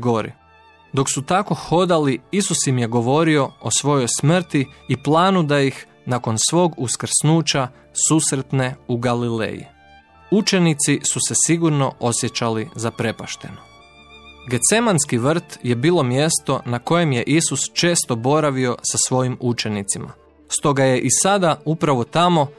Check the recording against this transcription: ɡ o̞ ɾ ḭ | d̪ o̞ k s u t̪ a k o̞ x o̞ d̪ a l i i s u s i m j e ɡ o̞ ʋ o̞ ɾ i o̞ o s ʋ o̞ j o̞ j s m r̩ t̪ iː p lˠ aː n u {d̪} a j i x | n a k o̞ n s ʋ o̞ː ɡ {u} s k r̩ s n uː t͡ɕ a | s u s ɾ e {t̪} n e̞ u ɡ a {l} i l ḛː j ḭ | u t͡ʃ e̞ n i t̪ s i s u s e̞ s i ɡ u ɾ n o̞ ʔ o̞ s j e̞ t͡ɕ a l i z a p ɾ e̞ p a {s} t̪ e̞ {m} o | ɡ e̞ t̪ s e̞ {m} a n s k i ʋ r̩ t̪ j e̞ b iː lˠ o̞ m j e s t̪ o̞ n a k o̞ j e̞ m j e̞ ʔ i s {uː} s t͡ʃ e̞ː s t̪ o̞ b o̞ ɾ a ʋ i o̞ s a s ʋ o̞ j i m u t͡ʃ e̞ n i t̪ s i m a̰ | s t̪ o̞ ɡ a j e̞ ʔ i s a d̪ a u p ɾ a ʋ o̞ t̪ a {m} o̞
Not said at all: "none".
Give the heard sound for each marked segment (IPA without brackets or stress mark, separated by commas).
d̪, u, t̪, l, ʃ, n, m, u, m